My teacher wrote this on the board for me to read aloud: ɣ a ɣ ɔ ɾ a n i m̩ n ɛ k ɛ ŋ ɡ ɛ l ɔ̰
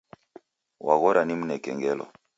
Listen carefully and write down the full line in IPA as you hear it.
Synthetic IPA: w a ɣ ɔ ɾ a n i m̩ n ɛ k ɛ ŋ ɡ ɛ l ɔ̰